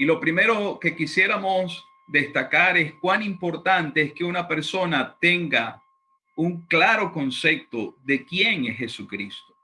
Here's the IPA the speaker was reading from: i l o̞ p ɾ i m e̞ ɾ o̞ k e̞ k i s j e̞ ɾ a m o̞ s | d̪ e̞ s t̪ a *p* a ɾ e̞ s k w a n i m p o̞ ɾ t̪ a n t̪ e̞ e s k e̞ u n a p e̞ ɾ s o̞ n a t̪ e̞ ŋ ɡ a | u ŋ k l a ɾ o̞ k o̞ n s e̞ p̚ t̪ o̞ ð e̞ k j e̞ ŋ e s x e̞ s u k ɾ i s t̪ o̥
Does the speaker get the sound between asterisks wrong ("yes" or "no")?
yes